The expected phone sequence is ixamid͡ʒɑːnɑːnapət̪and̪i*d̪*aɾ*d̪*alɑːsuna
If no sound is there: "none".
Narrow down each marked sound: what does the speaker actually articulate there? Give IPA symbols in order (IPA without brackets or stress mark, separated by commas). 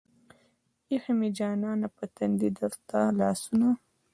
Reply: d̪, t̪